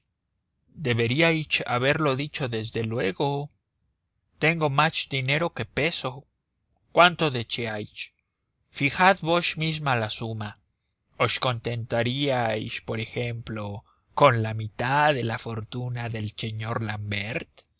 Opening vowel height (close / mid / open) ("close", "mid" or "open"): mid